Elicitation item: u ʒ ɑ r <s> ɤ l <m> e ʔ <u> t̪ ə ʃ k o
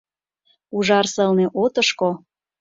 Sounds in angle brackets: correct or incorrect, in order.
correct, incorrect, incorrect

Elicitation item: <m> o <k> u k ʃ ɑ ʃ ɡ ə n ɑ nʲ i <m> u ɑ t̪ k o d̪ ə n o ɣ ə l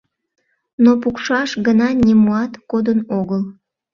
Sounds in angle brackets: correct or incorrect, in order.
incorrect, incorrect, correct

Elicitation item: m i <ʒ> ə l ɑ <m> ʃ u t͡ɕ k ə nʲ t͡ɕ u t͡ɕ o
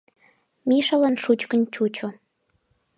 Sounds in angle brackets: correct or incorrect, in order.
incorrect, incorrect

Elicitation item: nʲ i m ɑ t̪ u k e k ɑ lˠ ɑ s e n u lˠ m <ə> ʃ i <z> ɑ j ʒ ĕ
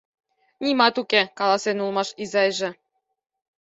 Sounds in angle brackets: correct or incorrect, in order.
incorrect, correct

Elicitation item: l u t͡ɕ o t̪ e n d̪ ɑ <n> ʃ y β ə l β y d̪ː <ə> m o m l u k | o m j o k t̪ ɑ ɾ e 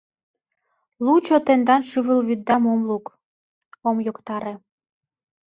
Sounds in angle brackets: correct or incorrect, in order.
correct, incorrect

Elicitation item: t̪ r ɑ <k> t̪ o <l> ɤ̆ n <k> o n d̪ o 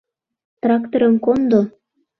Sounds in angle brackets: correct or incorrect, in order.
correct, incorrect, correct

